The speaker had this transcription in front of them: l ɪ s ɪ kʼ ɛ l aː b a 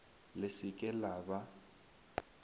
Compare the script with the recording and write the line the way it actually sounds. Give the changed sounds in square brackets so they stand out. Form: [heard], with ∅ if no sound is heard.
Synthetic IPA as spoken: l ɪ s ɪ kʼ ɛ l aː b a